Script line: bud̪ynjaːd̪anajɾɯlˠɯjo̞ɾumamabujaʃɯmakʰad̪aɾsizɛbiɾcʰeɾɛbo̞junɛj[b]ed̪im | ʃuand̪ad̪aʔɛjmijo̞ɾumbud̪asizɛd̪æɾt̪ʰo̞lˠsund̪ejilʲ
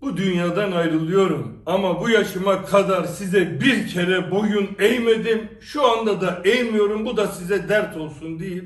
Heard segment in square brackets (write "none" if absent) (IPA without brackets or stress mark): m